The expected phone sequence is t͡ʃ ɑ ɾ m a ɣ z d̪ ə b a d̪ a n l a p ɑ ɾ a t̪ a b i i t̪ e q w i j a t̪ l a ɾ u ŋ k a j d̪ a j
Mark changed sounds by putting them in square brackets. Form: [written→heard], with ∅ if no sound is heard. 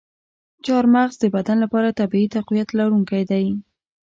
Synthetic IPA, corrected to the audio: t͡ʃ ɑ ɾ m a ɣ z d̪ ə b a d̪ a n l a p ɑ ɾ a t̪ a b i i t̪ [e→a] q w i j a t̪ l a ɾ u ŋ k a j d̪ a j